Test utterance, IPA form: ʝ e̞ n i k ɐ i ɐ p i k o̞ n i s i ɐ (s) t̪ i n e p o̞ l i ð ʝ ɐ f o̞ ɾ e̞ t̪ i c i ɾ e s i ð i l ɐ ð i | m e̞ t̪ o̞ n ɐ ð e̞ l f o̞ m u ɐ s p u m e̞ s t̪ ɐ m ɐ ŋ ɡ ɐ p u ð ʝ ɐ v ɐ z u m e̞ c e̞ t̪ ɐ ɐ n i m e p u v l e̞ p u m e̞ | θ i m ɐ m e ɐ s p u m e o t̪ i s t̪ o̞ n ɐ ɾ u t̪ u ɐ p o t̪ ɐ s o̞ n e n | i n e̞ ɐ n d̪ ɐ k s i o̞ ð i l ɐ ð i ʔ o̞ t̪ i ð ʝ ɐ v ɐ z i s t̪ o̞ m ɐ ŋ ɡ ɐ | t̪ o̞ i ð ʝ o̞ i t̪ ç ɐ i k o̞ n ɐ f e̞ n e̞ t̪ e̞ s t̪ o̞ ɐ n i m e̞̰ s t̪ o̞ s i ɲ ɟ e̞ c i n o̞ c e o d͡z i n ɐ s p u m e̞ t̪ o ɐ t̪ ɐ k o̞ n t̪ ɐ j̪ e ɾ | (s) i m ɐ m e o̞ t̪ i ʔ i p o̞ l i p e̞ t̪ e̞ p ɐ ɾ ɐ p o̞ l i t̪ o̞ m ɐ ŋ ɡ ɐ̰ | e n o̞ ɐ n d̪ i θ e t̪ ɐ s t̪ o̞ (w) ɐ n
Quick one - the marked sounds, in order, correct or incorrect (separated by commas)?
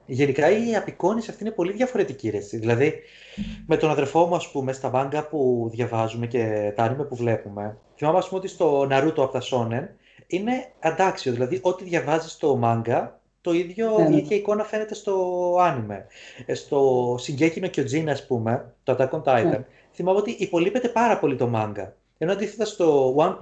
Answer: incorrect, incorrect, correct